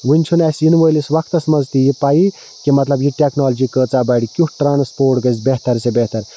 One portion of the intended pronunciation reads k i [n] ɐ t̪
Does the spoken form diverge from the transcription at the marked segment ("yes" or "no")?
yes